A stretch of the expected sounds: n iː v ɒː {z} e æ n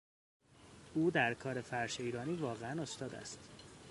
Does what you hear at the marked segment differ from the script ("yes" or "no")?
yes